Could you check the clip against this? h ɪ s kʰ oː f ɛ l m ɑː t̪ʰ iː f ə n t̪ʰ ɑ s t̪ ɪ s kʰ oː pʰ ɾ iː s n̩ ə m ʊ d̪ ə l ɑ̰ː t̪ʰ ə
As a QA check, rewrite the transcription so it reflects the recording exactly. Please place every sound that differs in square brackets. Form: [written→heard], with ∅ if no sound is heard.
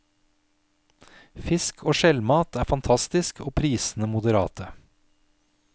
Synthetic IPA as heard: [h→f] ɪ s kʰ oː [f→ʃ] ɛ l m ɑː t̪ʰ [iː→æː] f [ə→ɑ] n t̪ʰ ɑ s t̪ ɪ s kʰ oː pʰ ɾ iː s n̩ ə m ʊ d̪ ə [l→ɾ] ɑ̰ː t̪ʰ ə